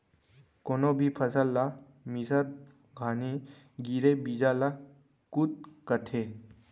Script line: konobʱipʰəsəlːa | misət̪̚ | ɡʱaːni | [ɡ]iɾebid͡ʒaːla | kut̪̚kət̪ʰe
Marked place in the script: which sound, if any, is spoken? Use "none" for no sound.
ɡ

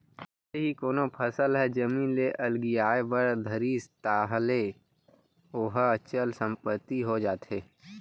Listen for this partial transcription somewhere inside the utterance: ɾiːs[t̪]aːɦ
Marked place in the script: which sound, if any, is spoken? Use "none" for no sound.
t̪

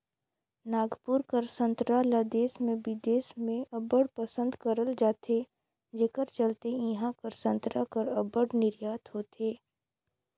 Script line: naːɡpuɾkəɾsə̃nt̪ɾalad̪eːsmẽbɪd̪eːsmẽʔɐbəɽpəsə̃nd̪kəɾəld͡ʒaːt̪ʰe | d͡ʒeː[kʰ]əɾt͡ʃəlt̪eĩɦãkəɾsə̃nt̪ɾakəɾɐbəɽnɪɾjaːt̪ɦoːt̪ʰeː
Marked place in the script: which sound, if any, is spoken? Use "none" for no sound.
k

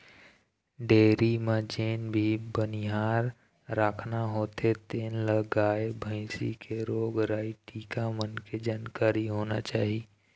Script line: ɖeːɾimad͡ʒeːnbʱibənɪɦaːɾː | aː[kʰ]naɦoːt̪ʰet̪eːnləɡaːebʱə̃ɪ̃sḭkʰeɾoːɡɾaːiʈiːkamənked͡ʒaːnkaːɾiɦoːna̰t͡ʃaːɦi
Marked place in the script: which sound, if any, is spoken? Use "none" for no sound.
kʰ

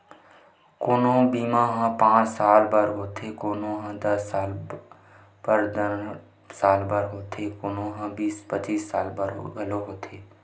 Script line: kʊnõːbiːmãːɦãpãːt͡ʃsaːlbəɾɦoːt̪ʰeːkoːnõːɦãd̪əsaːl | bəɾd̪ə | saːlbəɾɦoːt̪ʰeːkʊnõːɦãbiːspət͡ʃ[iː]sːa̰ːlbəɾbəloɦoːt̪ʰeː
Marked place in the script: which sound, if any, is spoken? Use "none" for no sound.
iː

